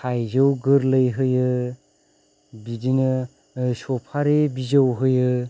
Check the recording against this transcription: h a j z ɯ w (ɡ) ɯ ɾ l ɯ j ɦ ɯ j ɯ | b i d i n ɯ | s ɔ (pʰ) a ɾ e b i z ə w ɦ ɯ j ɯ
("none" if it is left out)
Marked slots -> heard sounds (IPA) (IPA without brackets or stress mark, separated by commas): ɡ, pʰ